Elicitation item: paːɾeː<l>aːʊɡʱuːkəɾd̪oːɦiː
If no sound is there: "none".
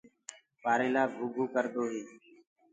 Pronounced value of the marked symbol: l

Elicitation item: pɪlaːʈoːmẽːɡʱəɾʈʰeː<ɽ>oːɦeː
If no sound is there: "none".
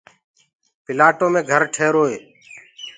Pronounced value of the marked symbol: ɾ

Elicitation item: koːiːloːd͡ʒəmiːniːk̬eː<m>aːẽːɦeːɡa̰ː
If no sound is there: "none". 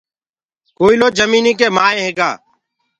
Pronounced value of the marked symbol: m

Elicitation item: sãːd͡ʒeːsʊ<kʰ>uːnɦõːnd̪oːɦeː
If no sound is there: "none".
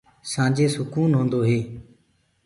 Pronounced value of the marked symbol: k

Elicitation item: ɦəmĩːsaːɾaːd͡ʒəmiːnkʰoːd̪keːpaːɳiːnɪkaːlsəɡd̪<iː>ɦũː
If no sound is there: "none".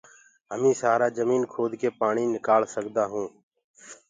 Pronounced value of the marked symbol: aː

